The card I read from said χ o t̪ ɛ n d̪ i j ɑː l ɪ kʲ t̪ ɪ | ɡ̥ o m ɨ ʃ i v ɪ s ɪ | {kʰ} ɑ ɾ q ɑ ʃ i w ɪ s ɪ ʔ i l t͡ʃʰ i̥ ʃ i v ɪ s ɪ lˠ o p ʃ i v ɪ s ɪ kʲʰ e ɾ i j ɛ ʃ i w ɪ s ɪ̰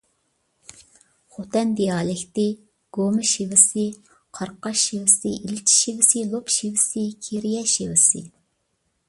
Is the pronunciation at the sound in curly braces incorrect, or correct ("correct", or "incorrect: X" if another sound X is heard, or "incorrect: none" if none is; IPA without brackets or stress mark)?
incorrect: qʰ